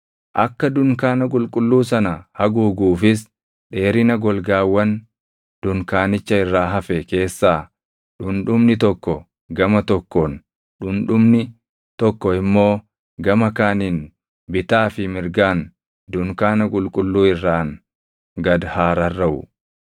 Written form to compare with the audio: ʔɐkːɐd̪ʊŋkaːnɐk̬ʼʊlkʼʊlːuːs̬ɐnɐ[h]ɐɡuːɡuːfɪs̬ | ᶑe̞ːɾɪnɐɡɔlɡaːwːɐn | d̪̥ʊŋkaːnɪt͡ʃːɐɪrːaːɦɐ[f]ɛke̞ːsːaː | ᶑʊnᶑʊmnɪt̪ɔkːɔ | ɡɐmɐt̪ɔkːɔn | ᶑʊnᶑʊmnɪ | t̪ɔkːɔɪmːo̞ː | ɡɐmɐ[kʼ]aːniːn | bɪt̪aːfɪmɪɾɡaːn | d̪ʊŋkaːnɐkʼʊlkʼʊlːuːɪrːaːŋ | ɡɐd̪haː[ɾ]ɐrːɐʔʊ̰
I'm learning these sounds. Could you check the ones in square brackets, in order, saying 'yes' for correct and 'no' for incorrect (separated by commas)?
yes, yes, no, yes